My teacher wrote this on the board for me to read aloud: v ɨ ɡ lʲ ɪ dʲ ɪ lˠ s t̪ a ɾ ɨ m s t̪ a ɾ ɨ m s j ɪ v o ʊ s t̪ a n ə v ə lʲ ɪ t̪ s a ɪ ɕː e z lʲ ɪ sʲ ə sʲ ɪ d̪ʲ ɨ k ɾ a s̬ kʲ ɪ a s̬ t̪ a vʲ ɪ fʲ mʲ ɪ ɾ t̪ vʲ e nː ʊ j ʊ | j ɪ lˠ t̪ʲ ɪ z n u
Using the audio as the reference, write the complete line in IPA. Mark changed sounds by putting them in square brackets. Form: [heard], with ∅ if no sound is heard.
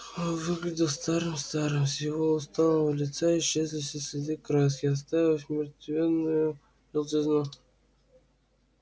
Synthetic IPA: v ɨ ɡ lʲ ɪ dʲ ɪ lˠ s t̪ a ɾ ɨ m s t̪ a ɾ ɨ m s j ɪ v o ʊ s t̪ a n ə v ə lʲ ɪ t̪ s a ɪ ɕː e z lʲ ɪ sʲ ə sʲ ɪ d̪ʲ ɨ k ɾ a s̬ kʲ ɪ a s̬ t̪ a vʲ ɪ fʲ mʲ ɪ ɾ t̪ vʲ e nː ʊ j ʊ | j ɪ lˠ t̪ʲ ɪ z n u